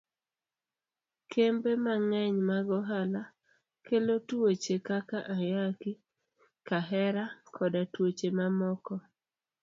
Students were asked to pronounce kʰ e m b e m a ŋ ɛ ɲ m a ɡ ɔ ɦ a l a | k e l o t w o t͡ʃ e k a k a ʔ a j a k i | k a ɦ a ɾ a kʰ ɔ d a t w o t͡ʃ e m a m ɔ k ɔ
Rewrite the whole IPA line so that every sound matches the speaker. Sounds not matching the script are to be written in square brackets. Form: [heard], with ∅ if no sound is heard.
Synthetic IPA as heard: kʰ e m b e m a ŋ ɛ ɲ m a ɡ ɔ ɦ a l a | k e l o t w o t͡ʃ e k a k a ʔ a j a k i | k a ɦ [ɛ] ɾ a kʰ ɔ d a t w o t͡ʃ e m a m ɔ k ɔ